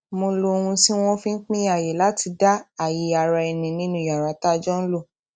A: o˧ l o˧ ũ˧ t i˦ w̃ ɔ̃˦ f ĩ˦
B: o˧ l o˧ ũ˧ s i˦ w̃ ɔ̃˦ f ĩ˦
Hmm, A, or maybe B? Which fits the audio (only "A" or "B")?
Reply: B